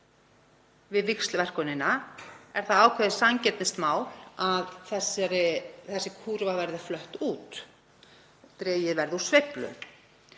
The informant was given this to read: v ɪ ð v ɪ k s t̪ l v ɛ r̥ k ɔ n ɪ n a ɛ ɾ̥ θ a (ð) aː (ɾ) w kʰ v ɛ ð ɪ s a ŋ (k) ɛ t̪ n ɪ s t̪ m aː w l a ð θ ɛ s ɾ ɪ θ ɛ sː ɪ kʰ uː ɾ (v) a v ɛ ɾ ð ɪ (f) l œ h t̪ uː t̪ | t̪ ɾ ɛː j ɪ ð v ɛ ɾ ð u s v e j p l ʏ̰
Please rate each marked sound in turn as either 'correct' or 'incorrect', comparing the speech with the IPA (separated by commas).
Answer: correct, incorrect, incorrect, correct, correct